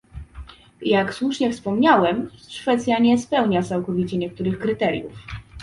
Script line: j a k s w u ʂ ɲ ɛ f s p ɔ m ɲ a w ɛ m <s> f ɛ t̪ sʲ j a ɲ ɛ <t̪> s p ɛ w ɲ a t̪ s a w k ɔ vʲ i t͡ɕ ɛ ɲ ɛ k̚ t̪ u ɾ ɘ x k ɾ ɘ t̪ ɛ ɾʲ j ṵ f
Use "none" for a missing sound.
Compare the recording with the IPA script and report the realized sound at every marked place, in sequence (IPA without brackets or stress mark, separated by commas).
ʂ, none